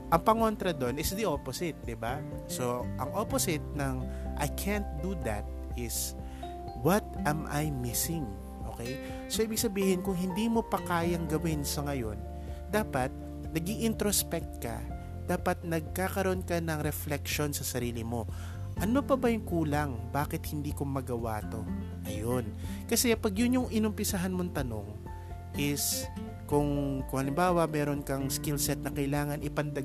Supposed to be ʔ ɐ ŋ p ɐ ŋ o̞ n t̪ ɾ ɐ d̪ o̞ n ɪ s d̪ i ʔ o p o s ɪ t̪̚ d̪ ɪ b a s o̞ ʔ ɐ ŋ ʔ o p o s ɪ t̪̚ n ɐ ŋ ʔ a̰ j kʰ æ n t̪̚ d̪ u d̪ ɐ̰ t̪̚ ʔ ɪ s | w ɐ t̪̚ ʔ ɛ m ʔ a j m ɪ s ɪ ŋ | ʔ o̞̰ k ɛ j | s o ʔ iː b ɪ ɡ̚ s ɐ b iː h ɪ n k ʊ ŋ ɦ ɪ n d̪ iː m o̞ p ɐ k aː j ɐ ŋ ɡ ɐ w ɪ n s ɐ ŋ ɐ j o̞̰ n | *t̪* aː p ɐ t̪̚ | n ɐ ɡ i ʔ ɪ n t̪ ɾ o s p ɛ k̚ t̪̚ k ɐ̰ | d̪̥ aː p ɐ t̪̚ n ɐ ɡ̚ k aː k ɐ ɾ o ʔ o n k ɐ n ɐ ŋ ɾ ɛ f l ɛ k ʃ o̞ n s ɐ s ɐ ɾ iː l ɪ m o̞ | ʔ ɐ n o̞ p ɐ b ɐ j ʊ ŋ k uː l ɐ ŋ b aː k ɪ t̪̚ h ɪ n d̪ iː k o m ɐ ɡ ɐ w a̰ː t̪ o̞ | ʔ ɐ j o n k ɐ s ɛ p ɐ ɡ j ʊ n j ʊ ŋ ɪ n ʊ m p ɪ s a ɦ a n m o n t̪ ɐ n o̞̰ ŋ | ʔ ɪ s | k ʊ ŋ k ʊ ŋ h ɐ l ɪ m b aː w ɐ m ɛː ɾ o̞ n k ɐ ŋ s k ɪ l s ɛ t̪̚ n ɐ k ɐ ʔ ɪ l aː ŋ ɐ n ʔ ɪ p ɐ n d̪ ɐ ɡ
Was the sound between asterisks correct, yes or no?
no